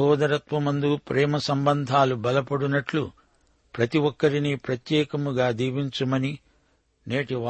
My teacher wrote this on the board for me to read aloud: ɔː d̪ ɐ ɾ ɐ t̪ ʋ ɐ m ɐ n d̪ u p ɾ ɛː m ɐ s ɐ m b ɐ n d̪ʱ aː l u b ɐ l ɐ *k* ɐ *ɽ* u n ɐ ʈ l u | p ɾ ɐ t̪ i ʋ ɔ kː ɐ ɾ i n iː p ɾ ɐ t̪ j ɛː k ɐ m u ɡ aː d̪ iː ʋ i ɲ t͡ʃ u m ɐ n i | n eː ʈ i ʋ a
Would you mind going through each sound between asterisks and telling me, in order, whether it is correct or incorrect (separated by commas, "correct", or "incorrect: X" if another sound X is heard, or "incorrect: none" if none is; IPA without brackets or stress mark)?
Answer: incorrect: p, correct